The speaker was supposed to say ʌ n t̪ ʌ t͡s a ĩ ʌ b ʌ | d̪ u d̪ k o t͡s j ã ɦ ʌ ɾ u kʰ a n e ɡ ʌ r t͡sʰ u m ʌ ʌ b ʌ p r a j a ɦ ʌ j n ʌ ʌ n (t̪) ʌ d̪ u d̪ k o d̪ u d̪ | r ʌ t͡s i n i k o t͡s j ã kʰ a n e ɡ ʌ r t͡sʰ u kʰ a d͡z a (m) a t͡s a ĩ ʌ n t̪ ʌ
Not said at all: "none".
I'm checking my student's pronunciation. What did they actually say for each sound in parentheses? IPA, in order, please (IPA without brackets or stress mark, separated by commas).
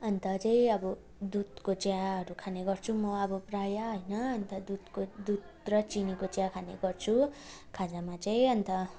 t̪, m